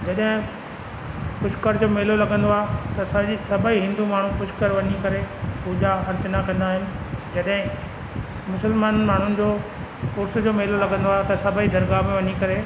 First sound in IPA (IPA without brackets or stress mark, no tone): d͡ʑ